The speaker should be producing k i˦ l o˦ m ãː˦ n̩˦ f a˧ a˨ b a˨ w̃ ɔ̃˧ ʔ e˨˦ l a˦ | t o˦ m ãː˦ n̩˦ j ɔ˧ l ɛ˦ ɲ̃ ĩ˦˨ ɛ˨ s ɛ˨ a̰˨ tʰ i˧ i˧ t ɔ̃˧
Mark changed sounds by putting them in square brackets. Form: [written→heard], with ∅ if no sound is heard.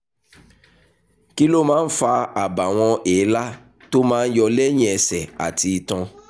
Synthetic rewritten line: k i˦ l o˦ m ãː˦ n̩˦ f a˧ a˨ b a˨ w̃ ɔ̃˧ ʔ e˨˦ l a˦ | t o˦ m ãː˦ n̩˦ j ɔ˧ l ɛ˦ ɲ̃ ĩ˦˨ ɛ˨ s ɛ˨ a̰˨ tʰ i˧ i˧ t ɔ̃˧